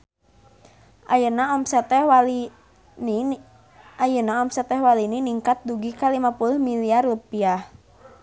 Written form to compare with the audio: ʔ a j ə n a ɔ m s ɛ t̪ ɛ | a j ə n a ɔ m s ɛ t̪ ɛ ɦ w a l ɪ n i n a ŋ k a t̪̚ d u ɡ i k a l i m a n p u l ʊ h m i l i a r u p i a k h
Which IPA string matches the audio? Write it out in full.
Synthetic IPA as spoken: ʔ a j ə n a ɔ m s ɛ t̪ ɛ | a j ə n a ɔ m s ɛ t̪ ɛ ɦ w a l i n i n i ŋ k a t̪̚ d u ɡ i k a l i m a p u l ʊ h m i l i a r u p i a h

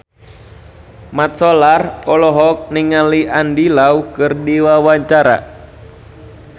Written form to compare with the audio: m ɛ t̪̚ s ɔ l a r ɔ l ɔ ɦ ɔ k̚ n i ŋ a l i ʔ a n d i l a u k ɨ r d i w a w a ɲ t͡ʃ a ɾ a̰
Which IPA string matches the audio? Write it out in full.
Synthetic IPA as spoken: m a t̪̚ s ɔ l a r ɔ l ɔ ɦ ɔ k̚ n i ŋ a l i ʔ a n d i l a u k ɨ r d i w a w a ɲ t͡ʃ a ɾ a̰

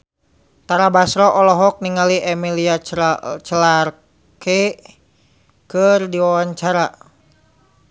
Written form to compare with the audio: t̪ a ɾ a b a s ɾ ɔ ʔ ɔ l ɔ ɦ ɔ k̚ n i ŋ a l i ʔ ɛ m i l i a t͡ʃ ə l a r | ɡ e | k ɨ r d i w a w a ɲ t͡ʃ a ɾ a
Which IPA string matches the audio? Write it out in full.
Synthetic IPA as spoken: t̪ a ɾ a b a s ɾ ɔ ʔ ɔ l ɔ ɦ ɔ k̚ n i ŋ a l i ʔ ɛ m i l i a t͡ʃ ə l a r | k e | k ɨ r d i w a w a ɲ t͡ʃ a ɾ a

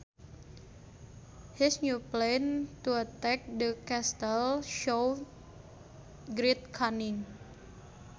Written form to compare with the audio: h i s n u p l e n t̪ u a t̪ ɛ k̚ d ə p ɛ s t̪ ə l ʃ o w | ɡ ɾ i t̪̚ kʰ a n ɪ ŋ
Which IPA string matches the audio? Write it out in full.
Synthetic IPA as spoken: h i s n u p l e n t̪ u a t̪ ɛ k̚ d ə k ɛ s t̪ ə l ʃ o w | ɡ ɾ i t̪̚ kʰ a n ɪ ŋ

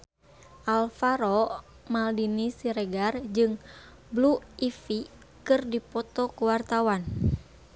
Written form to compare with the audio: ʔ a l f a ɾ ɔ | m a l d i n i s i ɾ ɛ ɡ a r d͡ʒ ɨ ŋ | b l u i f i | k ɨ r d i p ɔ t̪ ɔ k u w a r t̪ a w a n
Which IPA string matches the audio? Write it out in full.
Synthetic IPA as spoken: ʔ a l f a ɾ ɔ | m a l d i n i s i ɾ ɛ ɡ a r d͡ʒ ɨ ŋ | b l u i f i | k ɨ r d i p ɔ t̪ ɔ k u w a r t̪ a w a n

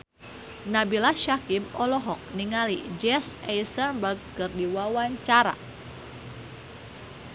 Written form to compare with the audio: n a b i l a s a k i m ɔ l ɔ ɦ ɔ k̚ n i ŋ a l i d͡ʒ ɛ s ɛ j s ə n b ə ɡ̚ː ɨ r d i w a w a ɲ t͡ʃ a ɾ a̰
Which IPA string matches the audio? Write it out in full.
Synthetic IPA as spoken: n a b i l a ʃ a k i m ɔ l ɔ ɦ ɔ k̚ n i ŋ a l i d͡ʒ ɛ s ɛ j s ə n b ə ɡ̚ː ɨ r d i w a w a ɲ t͡ʃ a ɾ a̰

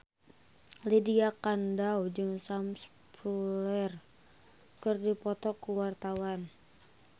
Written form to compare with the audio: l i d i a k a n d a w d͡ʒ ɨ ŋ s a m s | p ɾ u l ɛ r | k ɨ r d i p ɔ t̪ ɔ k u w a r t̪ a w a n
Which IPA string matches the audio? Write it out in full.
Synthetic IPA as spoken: l i d i a k a n d a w d͡ʒ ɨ ŋ s a m s | p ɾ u l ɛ r | k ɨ r d i p ɔ t̪ ɔ k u w a r t̪ a w a n

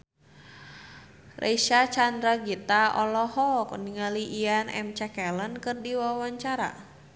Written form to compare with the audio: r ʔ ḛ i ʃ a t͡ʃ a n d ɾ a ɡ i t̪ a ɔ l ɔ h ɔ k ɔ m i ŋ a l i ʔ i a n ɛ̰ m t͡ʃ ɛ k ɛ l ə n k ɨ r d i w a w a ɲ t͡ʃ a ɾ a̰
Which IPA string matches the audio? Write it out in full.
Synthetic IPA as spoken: r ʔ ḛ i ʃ a t͡ʃ a n d ɾ a ɡ i t̪ a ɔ l ɔ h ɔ k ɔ n i ŋ a l i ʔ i a n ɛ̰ m t͡ʃ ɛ k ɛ l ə n k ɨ r d i w a w a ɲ t͡ʃ a ɾ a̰

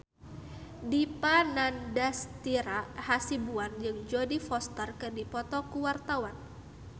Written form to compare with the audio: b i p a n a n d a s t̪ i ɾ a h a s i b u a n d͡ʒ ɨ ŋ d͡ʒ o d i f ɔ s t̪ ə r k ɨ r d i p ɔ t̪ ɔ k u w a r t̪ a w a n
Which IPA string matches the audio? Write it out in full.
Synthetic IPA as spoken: d i p a n a n d a s t̪ i ɾ a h a s i b u a n d͡ʒ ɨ ŋ d͡ʒ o d i f ɔ s t̪ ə r k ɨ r d i p ɔ t̪ ɔ k u w a r t̪ a w a n

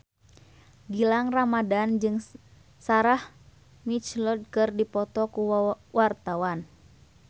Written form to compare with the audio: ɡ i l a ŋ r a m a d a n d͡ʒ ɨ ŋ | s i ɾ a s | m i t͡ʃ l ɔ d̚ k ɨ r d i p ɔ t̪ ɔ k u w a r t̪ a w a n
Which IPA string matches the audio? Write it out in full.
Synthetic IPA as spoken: ɡ i l a ŋ r a m a d a n d͡ʒ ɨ ŋ | s a ɾ a h | m i t͡ʃ l ɔ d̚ k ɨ r d i p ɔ t̪ ɔ k u w a r t̪ a w a n

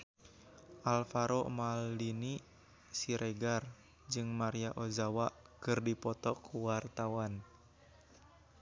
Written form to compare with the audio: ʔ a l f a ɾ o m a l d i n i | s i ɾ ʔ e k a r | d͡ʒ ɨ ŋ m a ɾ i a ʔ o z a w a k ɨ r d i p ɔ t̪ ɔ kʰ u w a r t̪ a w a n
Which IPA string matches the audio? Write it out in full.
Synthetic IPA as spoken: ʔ a l f a ɾ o m a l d i n i | s i ɾ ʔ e ɡ a r | d͡ʒ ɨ ŋ m a ɾ i a ʔ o z a w a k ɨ r d i p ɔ t̪ ɔ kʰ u w a r t̪ a w a n

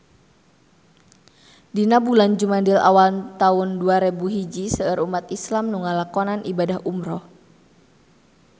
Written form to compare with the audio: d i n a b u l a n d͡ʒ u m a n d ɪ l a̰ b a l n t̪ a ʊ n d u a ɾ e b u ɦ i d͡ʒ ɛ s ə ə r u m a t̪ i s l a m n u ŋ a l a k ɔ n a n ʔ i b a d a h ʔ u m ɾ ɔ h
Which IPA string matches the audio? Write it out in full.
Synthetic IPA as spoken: d i n a b u l a n d͡ʒ u m a n d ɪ l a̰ w a l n t̪ a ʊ n d u a ɾ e b u ɦ i d͡ʒ i s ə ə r u m a t̪ i s l a m n u ŋ a l a k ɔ n a n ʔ i b a d a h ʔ u m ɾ ɔ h

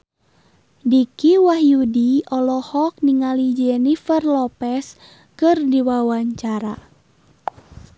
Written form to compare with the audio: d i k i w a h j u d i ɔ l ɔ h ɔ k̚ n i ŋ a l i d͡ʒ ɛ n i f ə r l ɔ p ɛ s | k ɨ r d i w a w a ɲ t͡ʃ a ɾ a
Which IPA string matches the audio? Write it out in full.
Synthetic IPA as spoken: d i k i w a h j u d i ɔ l ɔ h ɔ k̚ n i ŋ a l i d͡ʒ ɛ n i f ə r l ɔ p ɛ s | k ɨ r d i w a w a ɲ t͡ʃ a ɾ a

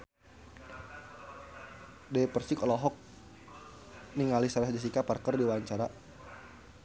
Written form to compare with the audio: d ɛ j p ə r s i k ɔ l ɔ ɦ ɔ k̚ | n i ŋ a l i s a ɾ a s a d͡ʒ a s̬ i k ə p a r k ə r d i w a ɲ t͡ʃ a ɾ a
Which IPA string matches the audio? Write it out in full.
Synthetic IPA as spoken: d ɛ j p ə r s i k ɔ l ɔ ɦ ɔ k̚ | n i ŋ a l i s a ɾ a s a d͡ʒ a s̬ i k a p a r k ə r d i w a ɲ t͡ʃ a ɾ a

